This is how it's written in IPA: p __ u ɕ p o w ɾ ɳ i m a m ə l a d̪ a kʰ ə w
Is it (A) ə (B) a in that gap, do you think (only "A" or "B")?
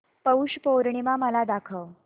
A